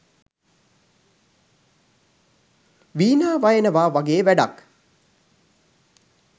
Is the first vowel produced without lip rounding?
yes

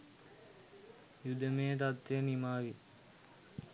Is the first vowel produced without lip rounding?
no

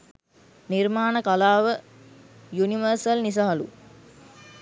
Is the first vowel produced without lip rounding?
yes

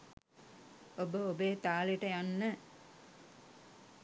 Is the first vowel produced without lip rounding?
no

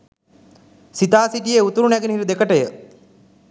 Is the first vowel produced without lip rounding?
yes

